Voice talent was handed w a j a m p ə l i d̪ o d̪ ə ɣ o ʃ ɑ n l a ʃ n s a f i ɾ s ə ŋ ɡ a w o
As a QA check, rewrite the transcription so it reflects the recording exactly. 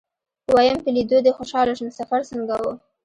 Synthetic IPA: w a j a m p ə l i d̪ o d̪ ə x o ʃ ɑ l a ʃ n s a f a ɾ s ə ŋ ɡ a w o